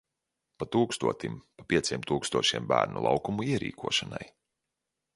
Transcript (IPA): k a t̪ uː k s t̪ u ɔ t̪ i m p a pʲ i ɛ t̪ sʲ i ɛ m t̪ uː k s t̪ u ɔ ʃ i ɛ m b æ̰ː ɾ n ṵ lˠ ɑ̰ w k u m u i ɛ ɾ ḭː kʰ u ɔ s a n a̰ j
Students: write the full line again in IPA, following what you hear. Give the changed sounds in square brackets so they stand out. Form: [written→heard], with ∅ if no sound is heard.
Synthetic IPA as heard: [k→p] a t̪ uː k s t̪ u ɔ t̪ i m p a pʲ i ɛ t̪ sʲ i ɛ m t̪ uː k s t̪ u ɔ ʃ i ɛ m b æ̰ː ɾ n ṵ lˠ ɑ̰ w k u m u i ɛ ɾ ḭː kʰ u ɔ [s→ʃ] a n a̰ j